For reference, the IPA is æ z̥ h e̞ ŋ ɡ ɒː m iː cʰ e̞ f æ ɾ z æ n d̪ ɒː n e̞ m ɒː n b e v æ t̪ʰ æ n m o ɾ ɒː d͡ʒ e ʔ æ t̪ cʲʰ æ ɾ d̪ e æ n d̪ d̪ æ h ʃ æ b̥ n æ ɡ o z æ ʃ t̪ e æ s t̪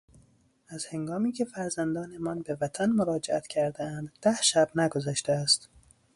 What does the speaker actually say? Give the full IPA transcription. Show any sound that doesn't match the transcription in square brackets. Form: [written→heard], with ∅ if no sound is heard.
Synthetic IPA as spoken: æ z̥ h e̞ ŋ ɡ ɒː m iː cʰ e̞ f æ ɾ z æ n d̪ ɒː n e̞ m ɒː n b e v æ t̪ʰ æ n m o ɾ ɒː d͡ʒ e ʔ æ t̪ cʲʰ æ ɾ d̪ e æ n d̪ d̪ æ h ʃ æ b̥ n æ ɡ o z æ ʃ t̪ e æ s t̪